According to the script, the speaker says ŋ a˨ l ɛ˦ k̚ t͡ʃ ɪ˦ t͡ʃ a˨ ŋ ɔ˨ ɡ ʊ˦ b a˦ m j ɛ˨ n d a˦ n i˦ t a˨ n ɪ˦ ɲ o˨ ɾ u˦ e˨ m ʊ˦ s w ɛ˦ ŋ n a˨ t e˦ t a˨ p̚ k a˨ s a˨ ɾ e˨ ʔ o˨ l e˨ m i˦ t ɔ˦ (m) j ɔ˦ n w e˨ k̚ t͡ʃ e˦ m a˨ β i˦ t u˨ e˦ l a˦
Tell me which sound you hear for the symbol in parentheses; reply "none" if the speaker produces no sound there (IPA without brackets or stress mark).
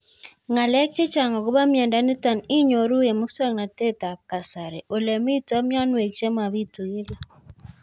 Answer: m